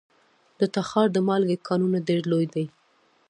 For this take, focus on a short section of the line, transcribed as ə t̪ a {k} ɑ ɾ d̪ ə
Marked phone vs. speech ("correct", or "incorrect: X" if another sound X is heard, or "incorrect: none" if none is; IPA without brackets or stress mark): incorrect: x